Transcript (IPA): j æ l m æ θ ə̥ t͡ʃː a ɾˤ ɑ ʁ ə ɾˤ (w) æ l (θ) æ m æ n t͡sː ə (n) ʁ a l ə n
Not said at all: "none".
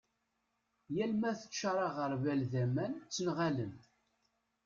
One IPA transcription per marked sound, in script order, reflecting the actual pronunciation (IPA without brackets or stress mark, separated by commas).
v, ð, n